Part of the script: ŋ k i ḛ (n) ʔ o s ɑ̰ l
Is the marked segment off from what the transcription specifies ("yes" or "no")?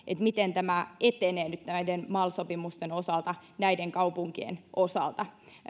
no